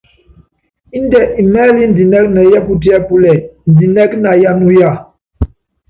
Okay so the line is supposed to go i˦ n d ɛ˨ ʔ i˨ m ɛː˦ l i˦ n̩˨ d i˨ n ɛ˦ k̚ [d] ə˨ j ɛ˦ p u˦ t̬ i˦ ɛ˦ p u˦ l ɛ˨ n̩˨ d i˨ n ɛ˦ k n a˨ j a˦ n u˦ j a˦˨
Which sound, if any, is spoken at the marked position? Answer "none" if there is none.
n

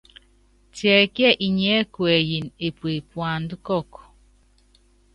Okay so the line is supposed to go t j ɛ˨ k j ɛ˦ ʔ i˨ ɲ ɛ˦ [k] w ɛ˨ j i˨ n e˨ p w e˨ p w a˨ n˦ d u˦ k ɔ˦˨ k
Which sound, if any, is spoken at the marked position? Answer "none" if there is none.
k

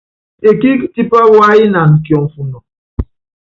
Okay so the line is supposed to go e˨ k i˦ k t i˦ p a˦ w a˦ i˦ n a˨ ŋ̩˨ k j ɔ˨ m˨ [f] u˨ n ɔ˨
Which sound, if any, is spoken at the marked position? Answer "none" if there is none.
f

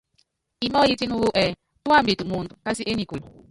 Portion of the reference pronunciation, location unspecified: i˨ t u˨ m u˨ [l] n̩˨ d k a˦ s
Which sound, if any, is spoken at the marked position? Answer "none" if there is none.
none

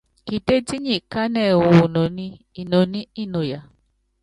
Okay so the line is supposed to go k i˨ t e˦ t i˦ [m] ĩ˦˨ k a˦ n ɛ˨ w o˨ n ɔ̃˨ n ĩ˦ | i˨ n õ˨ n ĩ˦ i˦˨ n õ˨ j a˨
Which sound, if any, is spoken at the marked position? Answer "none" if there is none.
ɲ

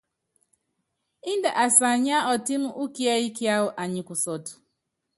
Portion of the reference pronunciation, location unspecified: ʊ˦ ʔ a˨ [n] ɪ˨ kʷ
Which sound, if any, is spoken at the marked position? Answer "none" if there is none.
ɲ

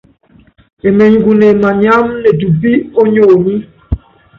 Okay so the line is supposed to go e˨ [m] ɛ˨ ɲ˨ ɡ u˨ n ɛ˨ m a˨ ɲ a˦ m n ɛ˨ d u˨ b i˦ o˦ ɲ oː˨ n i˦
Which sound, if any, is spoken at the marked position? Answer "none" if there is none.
m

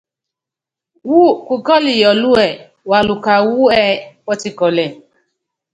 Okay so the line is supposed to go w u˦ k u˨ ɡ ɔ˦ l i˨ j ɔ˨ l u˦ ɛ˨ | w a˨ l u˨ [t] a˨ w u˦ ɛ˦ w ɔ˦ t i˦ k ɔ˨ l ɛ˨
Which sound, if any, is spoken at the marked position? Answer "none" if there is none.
k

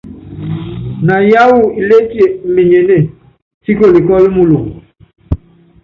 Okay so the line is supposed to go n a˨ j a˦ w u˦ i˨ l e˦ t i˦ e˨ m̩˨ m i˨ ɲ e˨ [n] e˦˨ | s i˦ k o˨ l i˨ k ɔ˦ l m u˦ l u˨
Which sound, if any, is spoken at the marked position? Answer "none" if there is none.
n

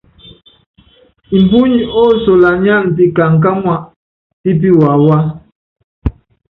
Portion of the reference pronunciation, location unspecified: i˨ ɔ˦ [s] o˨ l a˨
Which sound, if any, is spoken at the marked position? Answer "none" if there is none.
s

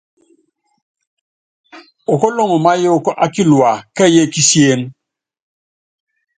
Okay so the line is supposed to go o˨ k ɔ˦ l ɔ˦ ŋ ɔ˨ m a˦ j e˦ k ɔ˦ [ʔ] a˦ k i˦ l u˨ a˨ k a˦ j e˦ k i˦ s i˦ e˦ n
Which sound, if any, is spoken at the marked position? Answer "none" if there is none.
ʔ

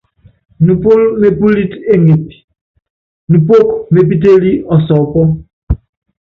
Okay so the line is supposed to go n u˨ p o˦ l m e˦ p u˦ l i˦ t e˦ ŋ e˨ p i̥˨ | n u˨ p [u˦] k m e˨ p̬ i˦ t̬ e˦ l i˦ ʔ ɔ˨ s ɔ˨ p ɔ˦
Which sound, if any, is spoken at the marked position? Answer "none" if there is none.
o˦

